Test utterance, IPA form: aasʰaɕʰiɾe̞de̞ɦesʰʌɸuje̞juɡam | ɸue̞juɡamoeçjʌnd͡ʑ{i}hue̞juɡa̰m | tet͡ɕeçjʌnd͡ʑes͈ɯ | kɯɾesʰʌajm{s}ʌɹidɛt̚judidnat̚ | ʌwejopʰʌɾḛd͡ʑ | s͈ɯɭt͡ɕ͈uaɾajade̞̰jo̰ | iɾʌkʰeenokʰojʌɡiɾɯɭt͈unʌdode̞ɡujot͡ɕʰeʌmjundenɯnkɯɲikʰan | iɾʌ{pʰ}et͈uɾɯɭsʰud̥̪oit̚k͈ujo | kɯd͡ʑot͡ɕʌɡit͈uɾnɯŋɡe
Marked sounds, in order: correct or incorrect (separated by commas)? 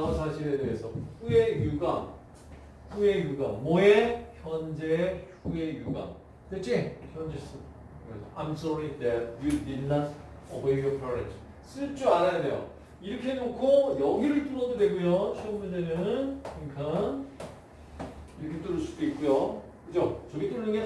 incorrect, correct, incorrect